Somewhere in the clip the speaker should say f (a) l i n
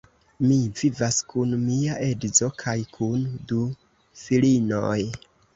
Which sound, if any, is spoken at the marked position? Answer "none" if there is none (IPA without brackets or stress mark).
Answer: i